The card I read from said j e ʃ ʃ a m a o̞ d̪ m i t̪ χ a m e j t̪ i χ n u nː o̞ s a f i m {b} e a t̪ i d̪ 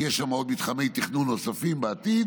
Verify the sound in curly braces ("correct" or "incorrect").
correct